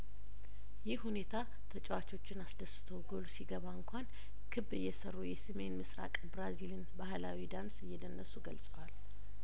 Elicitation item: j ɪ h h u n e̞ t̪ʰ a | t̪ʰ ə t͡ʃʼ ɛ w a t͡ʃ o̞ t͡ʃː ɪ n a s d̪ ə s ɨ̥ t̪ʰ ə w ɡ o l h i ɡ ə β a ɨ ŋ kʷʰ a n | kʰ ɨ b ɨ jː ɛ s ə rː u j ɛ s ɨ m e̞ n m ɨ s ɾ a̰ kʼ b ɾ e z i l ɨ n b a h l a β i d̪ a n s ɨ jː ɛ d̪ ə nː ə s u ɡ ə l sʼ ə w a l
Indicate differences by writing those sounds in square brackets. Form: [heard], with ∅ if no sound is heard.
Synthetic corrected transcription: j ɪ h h u n e̞ t̪ʰ a | t̪ʰ ə t͡ʃʼ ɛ w a t͡ʃ o̞ t͡ʃː ɪ n a s d̪ ə s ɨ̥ t̪ʰ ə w ɡ o l [s] i ɡ ə β a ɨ ŋ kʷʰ a n | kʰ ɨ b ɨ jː ɛ s ə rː u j ɛ s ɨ m e̞ n m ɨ s ɾ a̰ kʼ b ɾ [a] z i l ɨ n b a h l a [w] i d̪ a n s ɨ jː ɛ d̪ ə nː ə s u ɡ ə l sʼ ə w a l